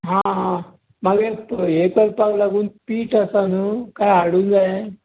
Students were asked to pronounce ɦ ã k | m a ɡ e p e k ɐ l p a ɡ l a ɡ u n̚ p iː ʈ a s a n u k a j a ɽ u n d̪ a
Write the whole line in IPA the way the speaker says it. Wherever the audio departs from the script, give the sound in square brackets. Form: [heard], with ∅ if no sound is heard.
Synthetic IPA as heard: ɦ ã [∅] | m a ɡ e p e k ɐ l p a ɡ l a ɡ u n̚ p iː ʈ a s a n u k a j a ɽ u n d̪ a